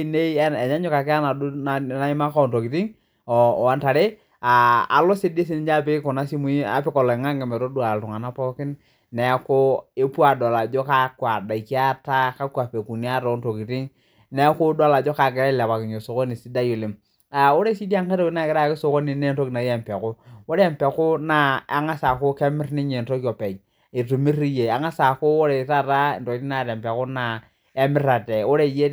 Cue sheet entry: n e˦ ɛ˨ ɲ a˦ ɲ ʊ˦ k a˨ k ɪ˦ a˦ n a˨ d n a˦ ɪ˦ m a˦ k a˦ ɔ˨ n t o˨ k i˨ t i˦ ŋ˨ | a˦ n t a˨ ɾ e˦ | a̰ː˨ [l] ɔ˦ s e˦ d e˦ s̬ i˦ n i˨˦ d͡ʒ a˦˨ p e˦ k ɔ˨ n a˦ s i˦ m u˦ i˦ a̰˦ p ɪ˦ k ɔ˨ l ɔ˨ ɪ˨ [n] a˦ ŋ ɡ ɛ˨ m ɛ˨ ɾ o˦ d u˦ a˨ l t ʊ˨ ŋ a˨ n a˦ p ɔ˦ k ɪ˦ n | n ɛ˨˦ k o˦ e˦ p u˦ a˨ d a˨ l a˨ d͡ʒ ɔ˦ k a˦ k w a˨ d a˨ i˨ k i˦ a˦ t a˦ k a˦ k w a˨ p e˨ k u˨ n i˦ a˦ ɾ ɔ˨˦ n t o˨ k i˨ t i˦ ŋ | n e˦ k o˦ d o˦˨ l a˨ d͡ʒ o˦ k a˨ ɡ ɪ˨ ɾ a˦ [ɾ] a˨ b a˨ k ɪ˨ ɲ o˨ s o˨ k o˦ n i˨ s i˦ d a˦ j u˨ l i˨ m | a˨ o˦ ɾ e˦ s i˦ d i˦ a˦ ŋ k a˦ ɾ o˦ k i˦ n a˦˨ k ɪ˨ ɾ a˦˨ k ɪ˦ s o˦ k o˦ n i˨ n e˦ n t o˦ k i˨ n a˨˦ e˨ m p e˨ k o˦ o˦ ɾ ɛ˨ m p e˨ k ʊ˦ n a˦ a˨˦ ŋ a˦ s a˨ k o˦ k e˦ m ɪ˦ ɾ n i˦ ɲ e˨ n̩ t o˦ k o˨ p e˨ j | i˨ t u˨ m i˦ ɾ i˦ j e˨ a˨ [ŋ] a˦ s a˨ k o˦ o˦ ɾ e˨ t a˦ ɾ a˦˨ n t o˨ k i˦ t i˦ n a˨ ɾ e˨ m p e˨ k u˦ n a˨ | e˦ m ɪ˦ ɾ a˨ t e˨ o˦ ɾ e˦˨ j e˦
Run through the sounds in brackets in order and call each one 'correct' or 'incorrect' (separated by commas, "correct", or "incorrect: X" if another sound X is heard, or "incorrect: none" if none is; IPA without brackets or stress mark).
correct, incorrect: ŋ, incorrect: l, correct